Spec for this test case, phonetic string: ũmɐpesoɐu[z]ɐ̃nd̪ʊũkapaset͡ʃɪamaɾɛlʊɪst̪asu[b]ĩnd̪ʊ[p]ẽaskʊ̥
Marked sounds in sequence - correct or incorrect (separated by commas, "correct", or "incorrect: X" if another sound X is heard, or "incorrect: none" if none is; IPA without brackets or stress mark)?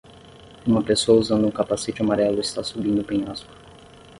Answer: correct, correct, correct